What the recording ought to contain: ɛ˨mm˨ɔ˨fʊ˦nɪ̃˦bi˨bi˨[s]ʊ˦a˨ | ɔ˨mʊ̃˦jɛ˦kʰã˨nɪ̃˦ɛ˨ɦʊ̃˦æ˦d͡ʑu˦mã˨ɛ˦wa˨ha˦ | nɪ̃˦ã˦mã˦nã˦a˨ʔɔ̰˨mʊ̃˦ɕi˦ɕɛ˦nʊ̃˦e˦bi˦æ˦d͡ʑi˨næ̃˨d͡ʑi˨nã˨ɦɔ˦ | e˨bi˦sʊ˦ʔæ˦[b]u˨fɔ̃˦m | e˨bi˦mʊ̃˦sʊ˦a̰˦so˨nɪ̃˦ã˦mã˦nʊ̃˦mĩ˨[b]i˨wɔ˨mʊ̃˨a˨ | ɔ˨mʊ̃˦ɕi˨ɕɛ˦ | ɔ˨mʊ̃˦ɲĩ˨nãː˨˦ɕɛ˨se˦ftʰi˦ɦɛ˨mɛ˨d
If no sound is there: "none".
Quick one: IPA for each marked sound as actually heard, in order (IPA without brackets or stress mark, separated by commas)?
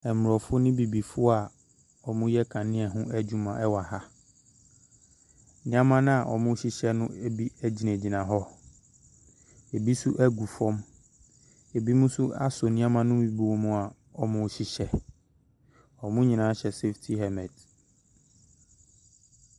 f, ɡ, b